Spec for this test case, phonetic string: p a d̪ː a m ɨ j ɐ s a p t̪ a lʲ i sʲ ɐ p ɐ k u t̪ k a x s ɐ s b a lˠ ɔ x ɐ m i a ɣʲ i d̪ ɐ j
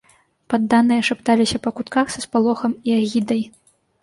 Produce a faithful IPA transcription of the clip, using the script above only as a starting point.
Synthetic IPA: p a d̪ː a n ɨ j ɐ ʂ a p t̪ a lʲ i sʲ ɐ p ɐ k u t̪ k a x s ɐ s p a lˠ ɔ x ɐ m i a ɣʲ i d̪ ɐ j